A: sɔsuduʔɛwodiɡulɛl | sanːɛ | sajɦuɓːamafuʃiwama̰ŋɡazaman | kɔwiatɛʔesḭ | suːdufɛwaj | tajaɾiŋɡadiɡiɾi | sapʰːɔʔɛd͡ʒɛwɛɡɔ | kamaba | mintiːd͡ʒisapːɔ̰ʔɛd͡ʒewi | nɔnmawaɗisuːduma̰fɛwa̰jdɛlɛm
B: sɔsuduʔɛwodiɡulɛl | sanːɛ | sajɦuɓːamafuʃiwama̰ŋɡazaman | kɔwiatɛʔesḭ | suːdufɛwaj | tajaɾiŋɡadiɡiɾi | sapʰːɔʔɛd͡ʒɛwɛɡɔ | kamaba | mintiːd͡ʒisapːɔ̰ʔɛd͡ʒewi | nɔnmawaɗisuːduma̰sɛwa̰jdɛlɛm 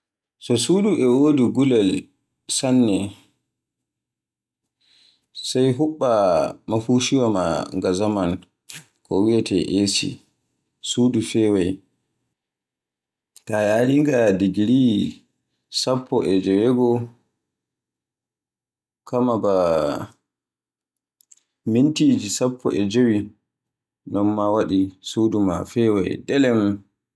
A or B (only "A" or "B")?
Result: A